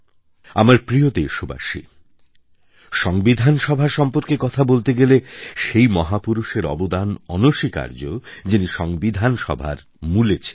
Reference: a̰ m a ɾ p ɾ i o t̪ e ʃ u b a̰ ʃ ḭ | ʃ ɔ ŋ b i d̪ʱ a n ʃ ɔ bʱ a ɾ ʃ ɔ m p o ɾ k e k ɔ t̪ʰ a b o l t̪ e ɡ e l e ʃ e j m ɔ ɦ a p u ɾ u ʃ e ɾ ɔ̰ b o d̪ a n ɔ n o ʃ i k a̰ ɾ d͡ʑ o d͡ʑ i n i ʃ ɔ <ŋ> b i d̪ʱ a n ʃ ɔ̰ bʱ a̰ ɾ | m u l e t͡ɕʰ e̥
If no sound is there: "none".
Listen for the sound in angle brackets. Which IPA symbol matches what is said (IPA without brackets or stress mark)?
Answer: ŋ